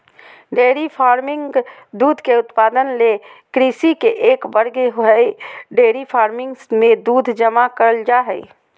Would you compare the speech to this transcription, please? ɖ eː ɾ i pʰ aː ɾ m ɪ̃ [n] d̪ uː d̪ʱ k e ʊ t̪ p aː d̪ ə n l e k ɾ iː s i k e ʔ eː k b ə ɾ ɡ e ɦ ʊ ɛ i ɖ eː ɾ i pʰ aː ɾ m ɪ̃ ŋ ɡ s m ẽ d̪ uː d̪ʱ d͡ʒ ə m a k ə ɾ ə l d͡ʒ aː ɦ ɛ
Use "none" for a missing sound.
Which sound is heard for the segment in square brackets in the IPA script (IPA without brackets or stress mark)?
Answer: ŋ